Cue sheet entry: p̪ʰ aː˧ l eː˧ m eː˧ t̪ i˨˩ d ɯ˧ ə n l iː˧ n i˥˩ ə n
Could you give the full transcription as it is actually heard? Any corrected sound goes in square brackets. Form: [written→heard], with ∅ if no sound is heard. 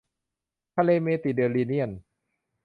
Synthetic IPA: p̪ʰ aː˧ l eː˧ m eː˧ t̪ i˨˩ d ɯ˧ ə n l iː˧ n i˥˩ ə n

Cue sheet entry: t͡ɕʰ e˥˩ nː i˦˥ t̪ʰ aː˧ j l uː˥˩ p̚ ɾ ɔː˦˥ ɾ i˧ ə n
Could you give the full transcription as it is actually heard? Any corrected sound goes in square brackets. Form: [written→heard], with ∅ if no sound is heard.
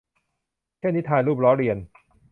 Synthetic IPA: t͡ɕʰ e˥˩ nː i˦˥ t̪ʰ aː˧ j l uː˥˩ p̚ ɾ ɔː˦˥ ɾ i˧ ə n

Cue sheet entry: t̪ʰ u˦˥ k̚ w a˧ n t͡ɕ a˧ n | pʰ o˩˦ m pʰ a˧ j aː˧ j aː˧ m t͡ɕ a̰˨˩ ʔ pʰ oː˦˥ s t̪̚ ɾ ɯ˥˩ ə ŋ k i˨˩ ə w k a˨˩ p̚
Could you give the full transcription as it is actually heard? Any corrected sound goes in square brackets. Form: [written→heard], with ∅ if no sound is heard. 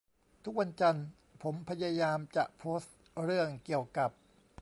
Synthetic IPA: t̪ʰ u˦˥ k̚ w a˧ n t͡ɕ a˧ n | pʰ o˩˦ m pʰ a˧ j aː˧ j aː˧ m t͡ɕ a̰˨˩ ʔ pʰ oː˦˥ s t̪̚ ɾ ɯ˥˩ ə ŋ k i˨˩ ə w k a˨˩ p̚

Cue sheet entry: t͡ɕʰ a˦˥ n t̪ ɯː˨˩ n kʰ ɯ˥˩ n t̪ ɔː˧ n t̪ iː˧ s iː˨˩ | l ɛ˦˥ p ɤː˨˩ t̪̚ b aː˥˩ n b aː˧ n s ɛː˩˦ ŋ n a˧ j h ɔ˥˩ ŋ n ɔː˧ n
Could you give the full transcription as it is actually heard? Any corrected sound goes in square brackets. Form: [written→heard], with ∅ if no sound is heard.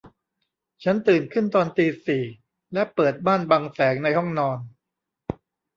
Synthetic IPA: t͡ɕʰ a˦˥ n t̪ ɯː˨˩ n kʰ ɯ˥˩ n t̪ ɔː˧ n t̪ iː˧ s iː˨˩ | l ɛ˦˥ p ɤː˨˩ t̪̚ b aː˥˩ n b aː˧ [n→ŋ] s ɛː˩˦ ŋ n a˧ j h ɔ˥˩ ŋ n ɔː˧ n

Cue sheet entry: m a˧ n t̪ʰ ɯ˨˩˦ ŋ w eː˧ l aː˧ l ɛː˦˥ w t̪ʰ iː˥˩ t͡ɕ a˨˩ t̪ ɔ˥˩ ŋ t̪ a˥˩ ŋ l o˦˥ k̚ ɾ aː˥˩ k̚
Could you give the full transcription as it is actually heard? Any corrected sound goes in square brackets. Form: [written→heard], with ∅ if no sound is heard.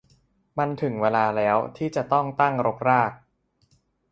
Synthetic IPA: m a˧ n t̪ʰ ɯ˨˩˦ ŋ w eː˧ l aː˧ l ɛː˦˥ w t̪ʰ iː˥˩ t͡ɕ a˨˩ t̪ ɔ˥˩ ŋ t̪ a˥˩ ŋ [l→ɾ] o˦˥ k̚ ɾ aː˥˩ k̚

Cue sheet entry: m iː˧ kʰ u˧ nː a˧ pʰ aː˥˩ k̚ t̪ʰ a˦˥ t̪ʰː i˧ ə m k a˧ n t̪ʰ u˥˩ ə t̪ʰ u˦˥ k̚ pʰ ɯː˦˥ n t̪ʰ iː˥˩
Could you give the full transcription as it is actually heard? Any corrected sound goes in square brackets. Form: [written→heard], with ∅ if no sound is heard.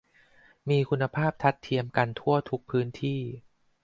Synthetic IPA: m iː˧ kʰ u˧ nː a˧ pʰ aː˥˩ [k̚→p̚] t̪ʰ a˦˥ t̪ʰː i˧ ə m k a˧ n t̪ʰ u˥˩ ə t̪ʰ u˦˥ k̚ pʰ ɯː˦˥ n t̪ʰ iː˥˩

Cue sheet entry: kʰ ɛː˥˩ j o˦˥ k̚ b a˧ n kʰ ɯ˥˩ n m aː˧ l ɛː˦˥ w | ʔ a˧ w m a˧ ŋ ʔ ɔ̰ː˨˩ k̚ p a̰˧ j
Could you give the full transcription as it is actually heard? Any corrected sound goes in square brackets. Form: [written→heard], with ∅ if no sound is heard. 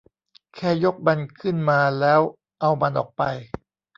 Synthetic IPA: kʰ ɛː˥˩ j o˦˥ k̚ b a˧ n kʰ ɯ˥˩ n m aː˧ l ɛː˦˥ w | ʔ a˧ w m a˧ [ŋ→n] ʔ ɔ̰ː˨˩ k̚ p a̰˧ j

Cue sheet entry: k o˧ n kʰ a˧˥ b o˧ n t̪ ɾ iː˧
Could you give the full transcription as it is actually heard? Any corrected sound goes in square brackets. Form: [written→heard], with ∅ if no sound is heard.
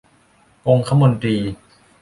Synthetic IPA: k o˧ [n→ŋ] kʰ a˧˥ [b→m] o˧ n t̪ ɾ iː˧

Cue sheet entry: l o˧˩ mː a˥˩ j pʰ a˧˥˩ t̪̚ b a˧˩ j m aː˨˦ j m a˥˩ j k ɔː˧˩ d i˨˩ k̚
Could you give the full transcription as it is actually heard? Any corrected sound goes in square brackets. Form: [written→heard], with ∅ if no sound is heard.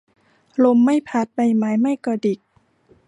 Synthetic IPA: l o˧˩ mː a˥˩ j pʰ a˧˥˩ t̪̚ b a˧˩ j m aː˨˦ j m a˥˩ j k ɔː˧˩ d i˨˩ k̚

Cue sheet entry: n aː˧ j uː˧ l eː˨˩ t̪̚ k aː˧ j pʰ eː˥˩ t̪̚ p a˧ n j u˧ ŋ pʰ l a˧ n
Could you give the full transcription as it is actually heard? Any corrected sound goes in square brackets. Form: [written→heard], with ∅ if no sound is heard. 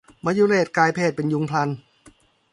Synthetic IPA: [n→m] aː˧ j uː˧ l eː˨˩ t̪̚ k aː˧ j pʰ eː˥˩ t̪̚ p [a˧→e˧] n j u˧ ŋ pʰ l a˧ n

